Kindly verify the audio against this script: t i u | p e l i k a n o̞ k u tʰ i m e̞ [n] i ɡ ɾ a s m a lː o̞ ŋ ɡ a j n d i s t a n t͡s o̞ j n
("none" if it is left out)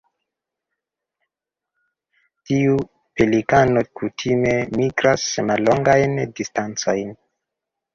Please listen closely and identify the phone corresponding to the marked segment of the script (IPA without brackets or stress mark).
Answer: m